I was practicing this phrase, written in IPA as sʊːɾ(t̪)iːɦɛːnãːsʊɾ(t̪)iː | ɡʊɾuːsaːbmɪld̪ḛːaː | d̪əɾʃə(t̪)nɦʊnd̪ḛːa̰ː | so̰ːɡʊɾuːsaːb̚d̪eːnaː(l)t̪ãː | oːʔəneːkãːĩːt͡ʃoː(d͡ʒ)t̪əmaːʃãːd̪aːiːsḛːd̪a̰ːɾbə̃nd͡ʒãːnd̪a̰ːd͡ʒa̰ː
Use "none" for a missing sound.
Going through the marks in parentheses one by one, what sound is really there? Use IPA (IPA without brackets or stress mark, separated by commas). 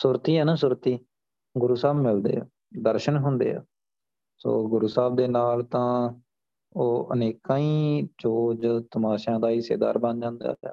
t̪, t̪, none, l, d͡ʒ